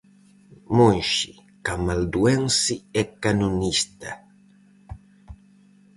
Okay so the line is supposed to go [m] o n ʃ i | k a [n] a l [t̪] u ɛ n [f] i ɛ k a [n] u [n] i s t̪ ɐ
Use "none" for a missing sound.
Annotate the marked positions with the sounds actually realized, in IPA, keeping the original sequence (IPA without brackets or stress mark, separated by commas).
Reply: m, m, d̪, s, n, n